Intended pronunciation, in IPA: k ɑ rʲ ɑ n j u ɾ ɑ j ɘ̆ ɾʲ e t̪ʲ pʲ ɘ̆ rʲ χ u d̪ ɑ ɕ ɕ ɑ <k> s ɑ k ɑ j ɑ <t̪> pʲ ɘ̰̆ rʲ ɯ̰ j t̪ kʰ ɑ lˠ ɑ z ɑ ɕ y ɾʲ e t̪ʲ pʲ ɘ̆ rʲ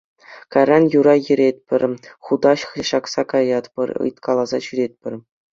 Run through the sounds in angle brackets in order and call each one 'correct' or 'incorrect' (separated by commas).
correct, correct